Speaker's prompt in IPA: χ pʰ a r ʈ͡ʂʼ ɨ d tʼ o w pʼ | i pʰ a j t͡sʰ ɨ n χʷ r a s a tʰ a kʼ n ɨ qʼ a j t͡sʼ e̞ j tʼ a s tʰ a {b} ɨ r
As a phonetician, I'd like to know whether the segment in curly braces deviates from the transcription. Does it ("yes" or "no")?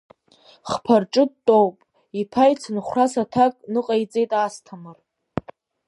yes